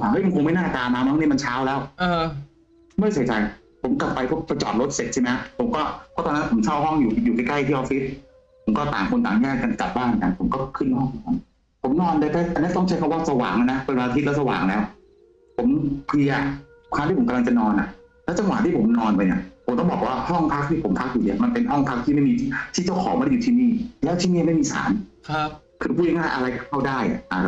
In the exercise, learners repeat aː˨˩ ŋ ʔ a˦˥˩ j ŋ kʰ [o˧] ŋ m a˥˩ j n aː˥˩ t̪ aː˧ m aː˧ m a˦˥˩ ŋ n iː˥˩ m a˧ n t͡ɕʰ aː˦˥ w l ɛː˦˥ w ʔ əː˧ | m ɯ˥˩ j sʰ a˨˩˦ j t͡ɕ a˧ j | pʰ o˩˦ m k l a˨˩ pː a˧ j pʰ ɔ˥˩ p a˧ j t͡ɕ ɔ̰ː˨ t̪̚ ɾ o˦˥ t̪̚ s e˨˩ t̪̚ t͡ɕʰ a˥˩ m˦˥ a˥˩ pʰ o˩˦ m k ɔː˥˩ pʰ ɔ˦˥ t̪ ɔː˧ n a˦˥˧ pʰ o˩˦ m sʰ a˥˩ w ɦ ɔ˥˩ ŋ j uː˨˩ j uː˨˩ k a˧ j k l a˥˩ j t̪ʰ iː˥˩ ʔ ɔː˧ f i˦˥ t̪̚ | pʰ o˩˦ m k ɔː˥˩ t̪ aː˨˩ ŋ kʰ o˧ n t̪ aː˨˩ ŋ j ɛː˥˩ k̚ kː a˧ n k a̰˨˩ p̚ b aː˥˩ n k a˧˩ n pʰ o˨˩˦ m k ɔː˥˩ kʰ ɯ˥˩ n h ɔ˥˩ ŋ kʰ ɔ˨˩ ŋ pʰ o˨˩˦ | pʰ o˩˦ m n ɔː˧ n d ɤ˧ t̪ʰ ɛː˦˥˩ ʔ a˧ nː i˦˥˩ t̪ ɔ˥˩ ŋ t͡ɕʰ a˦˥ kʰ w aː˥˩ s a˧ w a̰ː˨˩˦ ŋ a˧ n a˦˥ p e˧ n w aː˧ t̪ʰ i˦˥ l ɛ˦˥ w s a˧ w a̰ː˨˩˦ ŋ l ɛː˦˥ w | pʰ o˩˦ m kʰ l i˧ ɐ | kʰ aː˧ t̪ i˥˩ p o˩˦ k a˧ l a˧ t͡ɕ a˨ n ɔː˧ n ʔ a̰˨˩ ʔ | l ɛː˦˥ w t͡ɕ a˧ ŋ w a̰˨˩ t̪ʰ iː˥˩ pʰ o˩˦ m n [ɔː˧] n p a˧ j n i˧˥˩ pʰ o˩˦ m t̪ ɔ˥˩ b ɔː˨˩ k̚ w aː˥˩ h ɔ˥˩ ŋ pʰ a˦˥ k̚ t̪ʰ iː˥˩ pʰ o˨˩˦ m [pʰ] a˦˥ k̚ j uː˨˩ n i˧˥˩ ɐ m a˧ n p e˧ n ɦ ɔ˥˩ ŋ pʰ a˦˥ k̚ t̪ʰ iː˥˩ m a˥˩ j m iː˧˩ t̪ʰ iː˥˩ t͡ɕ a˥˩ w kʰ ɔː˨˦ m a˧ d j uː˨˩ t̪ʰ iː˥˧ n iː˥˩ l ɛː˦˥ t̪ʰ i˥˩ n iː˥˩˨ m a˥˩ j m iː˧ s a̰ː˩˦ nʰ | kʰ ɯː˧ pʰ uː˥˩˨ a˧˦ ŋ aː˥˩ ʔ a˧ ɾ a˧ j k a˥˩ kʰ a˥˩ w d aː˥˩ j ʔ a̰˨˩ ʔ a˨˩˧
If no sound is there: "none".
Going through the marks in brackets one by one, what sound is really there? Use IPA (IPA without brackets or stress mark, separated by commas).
o˧, ɔː˧, pʰ